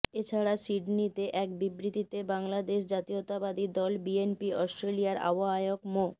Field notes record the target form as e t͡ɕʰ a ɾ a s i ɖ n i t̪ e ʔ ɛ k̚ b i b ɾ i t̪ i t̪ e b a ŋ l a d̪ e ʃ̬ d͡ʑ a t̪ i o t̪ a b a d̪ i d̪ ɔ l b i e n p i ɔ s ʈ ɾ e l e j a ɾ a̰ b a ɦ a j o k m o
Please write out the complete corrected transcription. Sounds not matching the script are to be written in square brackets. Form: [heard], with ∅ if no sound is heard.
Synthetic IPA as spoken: e t͡ɕʰ a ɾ a s i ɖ n i t̪ e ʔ ɛ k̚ b i b ɾ i t̪ i t̪ e b a ŋ l a d̪ e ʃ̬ d͡ʑ a t̪ i o t̪ a b a d̪ i d̪ ɔ l b i e n p i ɔ s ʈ ɾ e l [i] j a ɾ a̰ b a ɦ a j o k m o

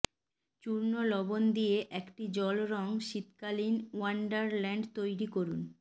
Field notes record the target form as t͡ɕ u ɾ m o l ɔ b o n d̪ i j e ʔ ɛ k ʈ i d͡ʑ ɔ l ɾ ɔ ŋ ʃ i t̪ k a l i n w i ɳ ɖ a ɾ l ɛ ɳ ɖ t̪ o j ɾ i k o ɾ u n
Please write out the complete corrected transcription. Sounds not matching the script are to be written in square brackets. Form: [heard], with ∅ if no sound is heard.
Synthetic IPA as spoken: t͡ɕ u ɾ [n] o l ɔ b o n d̪ i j e ʔ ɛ k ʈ i d͡ʑ ɔ l ɾ ɔ ŋ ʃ i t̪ k a l i n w [a] ɳ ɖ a ɾ l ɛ ɳ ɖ t̪ o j ɾ i k o ɾ u n

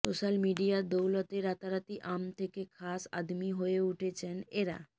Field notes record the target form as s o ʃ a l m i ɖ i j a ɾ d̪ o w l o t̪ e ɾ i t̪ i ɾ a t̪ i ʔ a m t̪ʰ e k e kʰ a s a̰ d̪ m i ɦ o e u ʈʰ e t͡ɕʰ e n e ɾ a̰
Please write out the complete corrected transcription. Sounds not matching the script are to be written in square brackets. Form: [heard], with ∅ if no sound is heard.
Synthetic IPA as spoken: s o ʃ a l m i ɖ i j a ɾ d̪ o w l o t̪ e ɾ [a] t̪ [a] ɾ a t̪ i ʔ a m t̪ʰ e k e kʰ a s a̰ d̪ m i ɦ o e u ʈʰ e t͡ɕʰ e n e ɾ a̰

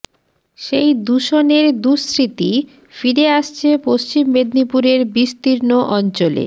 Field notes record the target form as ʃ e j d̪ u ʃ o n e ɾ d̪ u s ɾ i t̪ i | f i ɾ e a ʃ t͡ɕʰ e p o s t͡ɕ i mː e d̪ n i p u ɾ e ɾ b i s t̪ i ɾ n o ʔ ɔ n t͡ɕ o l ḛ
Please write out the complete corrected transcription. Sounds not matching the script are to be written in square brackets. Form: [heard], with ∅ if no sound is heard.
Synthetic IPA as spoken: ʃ e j d̪ u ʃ o n e ɾ d̪ u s ɾ i t̪ i | f i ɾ e a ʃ t͡ɕʰ e p o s t͡ɕ i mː e d̪ n i p u ɾ e ɾ b i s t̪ i ɾ n o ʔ ɔ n t͡ɕ o l ḛ

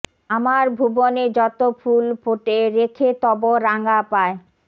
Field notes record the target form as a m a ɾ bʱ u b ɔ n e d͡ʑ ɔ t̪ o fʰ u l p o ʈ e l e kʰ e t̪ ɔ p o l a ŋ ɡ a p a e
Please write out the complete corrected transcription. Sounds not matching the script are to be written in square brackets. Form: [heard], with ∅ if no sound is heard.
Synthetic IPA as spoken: a m a ɾ bʱ u b [o] n e d͡ʑ ɔ t̪ o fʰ u l p o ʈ e [ɾ] e kʰ e t̪ ɔ [b] o [ɾ] a ŋ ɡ a p a e

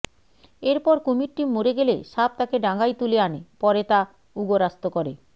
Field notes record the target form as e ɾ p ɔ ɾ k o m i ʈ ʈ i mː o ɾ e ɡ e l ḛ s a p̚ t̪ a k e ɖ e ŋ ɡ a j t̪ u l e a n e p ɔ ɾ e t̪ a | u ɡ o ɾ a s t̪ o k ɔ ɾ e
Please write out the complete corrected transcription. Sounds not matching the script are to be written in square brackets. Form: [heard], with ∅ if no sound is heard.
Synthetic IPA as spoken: e ɾ p ɔ ɾ k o m i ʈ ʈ i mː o ɾ e ɡ e l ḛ [ʃ] a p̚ t̪ a k e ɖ [a] ŋ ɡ a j t̪ u l e a n e p ɔ ɾ e t̪ a | u ɡ o ɾ a s t̪ o k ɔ ɾ e

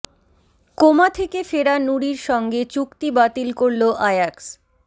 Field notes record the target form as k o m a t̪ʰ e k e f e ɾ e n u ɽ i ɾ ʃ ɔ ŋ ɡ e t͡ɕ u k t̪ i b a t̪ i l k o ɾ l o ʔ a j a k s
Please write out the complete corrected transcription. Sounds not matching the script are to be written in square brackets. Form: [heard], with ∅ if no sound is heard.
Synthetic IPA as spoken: k o m a t̪ʰ e k e f e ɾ [a] n u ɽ i ɾ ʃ ɔ ŋ ɡ e t͡ɕ u k t̪ i b a t̪ i l k o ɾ l o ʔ a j a k s

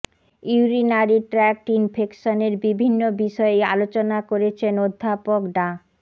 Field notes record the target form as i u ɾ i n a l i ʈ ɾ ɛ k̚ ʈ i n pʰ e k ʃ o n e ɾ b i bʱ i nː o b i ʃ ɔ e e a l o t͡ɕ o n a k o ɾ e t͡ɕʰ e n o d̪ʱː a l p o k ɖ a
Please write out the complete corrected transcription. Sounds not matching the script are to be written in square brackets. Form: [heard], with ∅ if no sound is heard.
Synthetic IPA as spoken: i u ɾ i n a [ɾ] i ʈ ɾ ɛ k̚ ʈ i n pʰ e k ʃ o n e ɾ b i bʱ i nː o b i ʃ ɔ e e a l o t͡ɕ o n a k o ɾ e t͡ɕʰ e n o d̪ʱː a [∅] p o k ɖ a

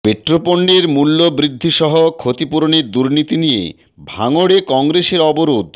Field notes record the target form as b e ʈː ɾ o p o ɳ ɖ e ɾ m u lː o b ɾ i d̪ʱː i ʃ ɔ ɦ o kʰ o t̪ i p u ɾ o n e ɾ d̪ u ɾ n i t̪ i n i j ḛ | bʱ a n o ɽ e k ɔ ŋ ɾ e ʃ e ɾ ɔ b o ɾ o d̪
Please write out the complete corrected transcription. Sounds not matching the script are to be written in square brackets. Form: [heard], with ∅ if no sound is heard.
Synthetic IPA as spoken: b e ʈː ɾ o p o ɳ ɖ e ɾ m u lː o b ɾ i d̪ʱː i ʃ ɔ ɦ o kʰ o t̪ i p u ɾ o n e ɾ d̪ u ɾ n i t̪ i n i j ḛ | bʱ a [ŋ] o ɽ e k ɔ ŋ ɾ e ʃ e ɾ ɔ b o ɾ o d̪

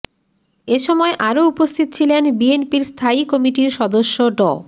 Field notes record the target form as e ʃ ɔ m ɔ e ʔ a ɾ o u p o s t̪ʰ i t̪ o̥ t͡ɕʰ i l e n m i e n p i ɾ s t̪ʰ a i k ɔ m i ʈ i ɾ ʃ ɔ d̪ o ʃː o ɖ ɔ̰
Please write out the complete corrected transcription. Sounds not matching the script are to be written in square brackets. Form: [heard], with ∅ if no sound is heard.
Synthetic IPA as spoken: e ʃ ɔ m ɔ e ʔ a ɾ o u p o s t̪ʰ i t̪ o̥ t͡ɕʰ i l e n [b] i e n p i ɾ s t̪ʰ a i k ɔ m i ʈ i ɾ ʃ ɔ d̪ o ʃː o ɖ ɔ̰

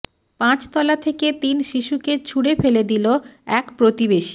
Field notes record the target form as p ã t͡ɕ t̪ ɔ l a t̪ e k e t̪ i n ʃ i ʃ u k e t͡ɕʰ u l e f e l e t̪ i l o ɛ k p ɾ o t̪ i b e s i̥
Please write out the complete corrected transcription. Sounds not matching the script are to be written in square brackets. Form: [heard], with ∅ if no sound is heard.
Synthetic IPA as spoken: p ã t͡ɕ t̪ ɔ l a [t̪ʰ] e k e t̪ i n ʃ i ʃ u k e t͡ɕʰ u [ɽ] e f e l e [d̪] i l o ɛ k p ɾ o t̪ i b e [ʃ] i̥

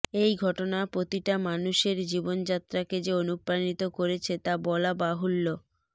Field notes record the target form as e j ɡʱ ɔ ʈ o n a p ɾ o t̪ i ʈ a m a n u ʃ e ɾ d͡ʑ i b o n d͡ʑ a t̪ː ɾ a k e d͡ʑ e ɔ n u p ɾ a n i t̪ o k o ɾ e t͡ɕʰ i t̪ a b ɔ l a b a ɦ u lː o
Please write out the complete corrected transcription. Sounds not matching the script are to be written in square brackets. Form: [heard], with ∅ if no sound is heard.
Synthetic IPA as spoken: e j ɡʱ ɔ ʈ o n a p ɾ o t̪ i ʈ a m a n u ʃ e ɾ d͡ʑ i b o n d͡ʑ a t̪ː ɾ a k e d͡ʑ e [o] n u p ɾ a n i t̪ o k o ɾ e t͡ɕʰ [e] t̪ a b ɔ l a b a ɦ u lː o

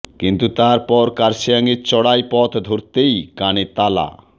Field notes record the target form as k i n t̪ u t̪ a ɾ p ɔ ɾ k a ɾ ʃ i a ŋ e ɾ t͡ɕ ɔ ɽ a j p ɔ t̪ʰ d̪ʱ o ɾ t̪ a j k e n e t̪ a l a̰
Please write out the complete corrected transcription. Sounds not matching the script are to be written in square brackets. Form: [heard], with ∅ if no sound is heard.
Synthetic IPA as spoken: k i n t̪ u t̪ a ɾ p ɔ ɾ k a ɾ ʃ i a ŋ e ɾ t͡ɕ ɔ ɽ a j p ɔ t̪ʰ d̪ʱ o ɾ t̪ [e] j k [a] n e t̪ a l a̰

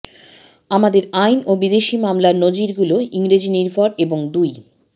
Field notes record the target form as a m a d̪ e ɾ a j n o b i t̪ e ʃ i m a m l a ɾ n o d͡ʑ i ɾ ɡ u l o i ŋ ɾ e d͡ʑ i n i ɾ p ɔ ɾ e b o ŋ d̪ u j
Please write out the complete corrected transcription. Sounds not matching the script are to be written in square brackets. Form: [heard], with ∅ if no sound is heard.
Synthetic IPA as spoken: a m a d̪ e ɾ a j n o b i [d̪] e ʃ i m a m l a ɾ n o d͡ʑ i ɾ ɡ u l o i ŋ ɾ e d͡ʑ i n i ɾ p ɔ ɾ e b o ŋ d̪ u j

